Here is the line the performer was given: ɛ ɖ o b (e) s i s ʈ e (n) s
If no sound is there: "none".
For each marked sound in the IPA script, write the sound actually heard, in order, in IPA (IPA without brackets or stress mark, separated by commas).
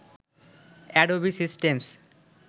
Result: i, m